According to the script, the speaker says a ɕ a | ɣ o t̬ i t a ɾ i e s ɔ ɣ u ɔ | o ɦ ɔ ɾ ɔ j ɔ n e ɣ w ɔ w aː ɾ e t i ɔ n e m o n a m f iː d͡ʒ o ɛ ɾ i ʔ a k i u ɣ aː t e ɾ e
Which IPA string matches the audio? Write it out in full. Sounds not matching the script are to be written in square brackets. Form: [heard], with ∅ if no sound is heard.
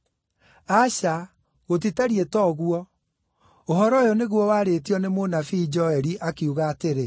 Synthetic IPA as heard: a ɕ a | ɣ o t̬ i t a ɾ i e [t] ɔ ɣ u ɔ | o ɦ ɔ ɾ ɔ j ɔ n e ɣ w ɔ w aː ɾ e t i ɔ n e m o n a [∅] f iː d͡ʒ [ɔ] ɛ ɾ i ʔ a k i u ɣ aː t e ɾ e